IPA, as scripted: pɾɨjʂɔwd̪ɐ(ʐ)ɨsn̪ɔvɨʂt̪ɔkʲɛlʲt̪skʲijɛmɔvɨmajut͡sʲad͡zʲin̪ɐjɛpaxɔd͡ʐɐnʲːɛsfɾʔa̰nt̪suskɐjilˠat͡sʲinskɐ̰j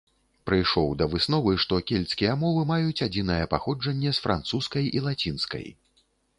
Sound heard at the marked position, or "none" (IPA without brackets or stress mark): v